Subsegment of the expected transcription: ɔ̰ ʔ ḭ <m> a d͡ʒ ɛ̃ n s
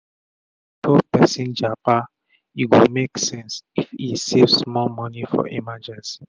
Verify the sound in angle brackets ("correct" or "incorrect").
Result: correct